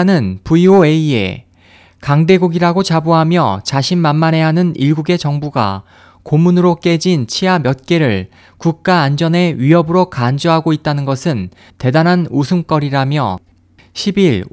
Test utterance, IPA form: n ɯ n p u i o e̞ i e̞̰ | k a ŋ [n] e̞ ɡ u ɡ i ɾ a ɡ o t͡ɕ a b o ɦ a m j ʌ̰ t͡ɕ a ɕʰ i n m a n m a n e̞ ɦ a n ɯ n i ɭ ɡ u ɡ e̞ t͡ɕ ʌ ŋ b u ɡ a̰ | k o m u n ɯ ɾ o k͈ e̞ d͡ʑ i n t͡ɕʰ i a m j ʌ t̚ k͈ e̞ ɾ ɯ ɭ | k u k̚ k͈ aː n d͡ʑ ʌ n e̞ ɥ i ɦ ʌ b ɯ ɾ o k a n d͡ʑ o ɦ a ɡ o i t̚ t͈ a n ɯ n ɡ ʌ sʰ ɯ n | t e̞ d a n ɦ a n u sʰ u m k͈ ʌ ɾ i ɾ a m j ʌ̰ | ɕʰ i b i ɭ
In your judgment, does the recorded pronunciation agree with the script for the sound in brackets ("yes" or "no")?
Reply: no